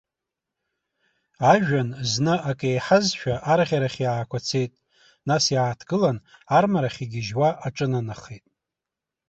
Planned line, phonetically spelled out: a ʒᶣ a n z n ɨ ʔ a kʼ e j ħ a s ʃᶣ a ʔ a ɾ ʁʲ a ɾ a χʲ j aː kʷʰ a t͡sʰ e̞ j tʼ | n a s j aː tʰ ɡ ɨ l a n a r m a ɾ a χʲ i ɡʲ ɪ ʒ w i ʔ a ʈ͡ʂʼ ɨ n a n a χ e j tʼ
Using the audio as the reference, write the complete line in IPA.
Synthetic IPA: a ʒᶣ a n z n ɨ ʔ a kʼ e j ħ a z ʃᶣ a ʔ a ɾ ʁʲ a ɾ a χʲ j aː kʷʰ a t͡sʰ e̞ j tʼ | n a s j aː tʰ ɡ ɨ l a n a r m a ɾ a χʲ i ɡʲ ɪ ʒ w a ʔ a ʈ͡ʂʼ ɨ n a n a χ e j tʼ